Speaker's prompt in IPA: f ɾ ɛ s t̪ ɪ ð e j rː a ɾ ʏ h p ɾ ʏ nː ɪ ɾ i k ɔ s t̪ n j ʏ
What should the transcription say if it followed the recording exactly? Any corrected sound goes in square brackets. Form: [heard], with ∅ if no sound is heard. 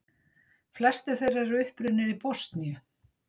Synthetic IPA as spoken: f [l] ɛ s t̪ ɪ [θ] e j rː a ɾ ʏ h p ɾ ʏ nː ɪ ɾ i [p] ɔ s t̪ n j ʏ